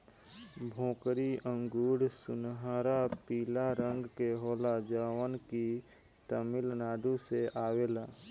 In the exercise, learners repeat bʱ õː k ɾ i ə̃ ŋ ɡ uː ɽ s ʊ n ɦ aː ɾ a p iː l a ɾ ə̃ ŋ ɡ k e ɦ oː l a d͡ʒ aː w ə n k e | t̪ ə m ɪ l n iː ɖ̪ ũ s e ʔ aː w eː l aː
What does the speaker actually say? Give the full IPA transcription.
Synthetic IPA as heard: bʱ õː k ɾ i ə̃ ŋ ɡ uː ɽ s ʊ n ɦ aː ɾ a p iː l a ɾ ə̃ ŋ ɡ k e ɦ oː l a d͡ʒ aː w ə n k i | t̪ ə m ɪ l n aː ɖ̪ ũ s e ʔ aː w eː l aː